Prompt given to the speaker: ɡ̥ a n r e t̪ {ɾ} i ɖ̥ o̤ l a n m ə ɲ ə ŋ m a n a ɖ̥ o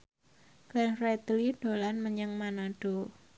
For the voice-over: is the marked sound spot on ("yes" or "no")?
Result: no